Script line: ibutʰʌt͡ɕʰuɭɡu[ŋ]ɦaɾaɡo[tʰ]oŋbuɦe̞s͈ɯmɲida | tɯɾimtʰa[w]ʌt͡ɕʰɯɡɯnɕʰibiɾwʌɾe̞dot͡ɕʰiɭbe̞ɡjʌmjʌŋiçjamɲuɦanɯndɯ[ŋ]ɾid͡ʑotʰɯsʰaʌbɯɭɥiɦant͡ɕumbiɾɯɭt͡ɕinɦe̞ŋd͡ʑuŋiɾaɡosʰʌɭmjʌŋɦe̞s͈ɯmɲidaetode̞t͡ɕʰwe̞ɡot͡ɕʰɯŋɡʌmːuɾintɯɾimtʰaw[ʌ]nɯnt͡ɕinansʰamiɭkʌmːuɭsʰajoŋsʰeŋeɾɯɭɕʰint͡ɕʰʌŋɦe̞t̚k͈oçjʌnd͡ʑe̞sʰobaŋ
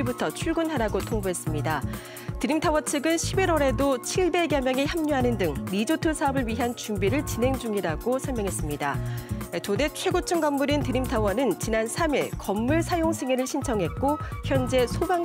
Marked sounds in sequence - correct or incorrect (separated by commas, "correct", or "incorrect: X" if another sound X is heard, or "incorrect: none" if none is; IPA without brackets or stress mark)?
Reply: incorrect: n, correct, correct, correct, correct